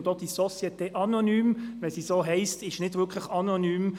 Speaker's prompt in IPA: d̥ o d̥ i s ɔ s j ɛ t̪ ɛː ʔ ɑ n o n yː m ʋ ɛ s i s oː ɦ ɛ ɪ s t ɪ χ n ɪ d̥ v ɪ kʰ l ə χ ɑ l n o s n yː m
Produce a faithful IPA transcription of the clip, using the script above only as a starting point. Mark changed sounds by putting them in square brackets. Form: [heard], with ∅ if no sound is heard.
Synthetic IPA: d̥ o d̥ i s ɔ s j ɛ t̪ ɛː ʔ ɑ n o n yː m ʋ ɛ s i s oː ɦ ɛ ɪ s t ɪ [ʃ] n ɪ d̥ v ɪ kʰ l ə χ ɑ [∅] n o [∅] n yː m